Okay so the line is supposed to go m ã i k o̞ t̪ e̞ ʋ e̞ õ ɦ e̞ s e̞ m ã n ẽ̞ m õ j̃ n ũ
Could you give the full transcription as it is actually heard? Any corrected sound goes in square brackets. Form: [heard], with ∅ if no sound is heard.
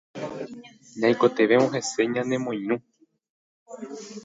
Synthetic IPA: [ɲ] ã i k o̞ t̪ e̞ ʋ e̞ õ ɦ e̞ s e̞ [ɲ] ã n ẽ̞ m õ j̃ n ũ